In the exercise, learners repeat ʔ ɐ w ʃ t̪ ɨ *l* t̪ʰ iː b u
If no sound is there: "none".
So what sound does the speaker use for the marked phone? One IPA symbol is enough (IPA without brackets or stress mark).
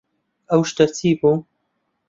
ɾ